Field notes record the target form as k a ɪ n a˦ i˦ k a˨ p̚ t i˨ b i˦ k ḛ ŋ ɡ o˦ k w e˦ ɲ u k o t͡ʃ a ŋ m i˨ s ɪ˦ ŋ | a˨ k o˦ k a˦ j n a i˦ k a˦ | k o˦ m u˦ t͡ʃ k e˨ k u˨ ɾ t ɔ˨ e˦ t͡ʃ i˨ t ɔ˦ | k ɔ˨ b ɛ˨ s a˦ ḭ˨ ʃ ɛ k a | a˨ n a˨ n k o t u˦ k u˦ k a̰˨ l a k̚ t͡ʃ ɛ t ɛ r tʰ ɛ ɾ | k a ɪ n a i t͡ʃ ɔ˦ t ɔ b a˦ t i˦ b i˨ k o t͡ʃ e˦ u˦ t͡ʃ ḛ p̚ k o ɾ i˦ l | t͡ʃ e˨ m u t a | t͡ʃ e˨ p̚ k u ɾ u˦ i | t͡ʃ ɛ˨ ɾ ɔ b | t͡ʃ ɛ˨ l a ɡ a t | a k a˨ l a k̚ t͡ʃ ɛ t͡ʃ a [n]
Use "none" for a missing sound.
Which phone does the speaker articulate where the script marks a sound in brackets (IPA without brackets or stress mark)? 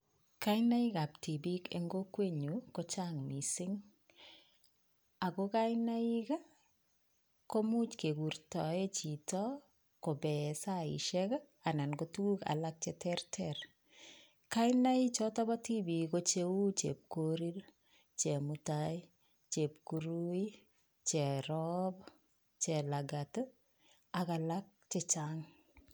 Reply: ŋ